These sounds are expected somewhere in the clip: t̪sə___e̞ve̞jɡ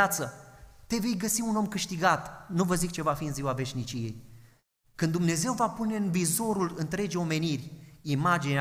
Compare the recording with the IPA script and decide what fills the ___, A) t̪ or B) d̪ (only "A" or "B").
A